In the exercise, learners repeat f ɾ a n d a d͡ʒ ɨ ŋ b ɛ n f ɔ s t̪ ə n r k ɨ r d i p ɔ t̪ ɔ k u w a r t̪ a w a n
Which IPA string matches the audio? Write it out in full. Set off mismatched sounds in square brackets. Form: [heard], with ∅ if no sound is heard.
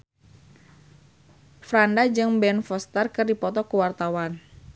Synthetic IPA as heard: f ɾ a n d a d͡ʒ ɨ ŋ b ɛ n f ɔ s t̪ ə [∅] r k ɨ r d i p ɔ t̪ ɔ k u w a r t̪ a w a n